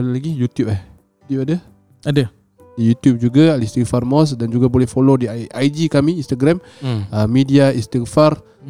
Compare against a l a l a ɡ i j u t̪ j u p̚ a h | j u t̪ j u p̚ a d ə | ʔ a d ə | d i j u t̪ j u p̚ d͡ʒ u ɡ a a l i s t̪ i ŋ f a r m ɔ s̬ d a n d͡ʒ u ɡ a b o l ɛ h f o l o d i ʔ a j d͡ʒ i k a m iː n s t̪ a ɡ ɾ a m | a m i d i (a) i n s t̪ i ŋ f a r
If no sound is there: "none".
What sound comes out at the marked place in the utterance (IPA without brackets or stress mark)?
a